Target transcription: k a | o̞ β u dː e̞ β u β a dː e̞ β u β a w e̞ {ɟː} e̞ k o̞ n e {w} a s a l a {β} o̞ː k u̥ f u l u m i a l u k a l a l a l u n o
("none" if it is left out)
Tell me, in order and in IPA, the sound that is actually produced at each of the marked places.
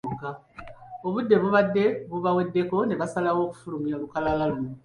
dː, β, w

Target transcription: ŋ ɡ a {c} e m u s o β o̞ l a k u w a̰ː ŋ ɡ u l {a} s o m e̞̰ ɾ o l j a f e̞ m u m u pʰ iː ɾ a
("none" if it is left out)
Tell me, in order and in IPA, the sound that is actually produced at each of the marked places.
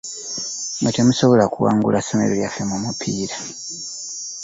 t, a

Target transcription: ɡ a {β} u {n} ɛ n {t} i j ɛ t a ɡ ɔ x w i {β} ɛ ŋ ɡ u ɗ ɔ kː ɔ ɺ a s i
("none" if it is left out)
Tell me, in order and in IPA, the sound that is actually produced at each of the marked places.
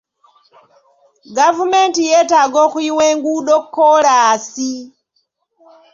v, m, t, w

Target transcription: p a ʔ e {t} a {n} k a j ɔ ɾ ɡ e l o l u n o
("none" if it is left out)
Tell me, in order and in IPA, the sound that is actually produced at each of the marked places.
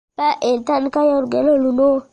t, n

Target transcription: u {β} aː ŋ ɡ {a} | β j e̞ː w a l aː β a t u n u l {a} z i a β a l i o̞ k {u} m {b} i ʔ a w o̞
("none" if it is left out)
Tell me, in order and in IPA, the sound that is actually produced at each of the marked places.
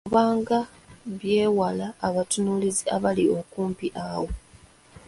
β, a, i, uː, p

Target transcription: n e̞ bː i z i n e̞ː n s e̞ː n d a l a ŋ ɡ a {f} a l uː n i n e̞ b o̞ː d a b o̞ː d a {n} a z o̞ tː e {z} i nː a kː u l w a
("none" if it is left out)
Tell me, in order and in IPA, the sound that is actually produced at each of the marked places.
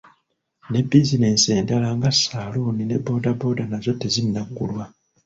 s, n, z

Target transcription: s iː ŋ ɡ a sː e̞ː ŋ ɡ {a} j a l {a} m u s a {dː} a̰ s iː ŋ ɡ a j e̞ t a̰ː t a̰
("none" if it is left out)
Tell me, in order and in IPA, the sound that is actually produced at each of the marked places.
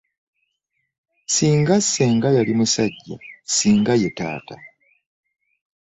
a, i, ɟː

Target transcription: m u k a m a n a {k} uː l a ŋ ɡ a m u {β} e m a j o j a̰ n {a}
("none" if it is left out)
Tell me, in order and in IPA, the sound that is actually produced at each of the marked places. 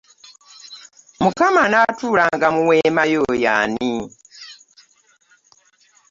t, w, i

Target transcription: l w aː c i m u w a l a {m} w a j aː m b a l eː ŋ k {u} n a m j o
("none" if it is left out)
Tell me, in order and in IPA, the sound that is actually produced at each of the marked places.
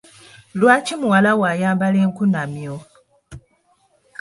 none, u

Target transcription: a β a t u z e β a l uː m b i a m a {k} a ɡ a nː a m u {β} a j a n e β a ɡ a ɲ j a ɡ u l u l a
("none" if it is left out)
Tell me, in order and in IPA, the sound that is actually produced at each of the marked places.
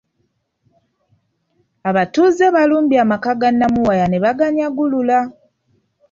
k, w

